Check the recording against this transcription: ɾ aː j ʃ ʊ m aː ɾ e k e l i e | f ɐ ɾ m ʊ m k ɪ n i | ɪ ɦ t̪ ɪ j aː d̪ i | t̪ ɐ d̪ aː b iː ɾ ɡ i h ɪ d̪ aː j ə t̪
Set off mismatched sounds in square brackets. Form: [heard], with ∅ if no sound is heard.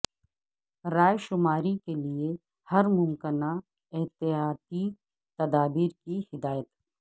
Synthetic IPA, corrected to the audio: ɾ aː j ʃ ʊ m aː ɾ [i] k e l i e | [h] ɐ ɾ m ʊ m k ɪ n [a] | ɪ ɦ t̪ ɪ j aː [t̪] i | t̪ ɐ d̪ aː b iː ɾ [k] i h ɪ d̪ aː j ə t̪